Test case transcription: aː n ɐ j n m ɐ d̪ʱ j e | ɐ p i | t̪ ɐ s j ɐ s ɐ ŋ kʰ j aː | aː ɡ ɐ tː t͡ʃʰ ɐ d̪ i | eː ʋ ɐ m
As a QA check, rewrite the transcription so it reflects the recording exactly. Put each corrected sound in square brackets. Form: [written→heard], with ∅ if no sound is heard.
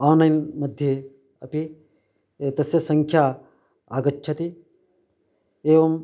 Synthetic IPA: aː n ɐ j n m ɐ d̪ʱ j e | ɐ p i | t̪ ɐ s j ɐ s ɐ ŋ kʰ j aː | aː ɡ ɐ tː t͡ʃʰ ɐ [d̪→t̪] i | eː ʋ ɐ m